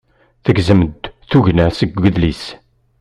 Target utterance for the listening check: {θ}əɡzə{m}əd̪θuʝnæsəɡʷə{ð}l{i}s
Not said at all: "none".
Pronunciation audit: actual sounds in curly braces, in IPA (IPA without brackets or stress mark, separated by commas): θ, m, ð, i